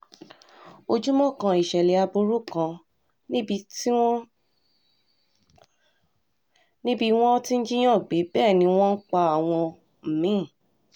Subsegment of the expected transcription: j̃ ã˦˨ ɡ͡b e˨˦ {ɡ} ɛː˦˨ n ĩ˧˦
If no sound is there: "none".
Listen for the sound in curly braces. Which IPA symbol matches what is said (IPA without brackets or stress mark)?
b